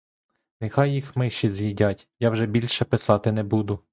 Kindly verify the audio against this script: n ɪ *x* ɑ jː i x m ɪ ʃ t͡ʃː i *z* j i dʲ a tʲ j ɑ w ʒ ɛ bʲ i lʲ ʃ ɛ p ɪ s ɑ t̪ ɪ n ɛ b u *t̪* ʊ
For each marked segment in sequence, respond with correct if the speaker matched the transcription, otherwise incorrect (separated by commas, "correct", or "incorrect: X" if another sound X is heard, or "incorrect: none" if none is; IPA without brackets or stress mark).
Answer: correct, correct, incorrect: d̪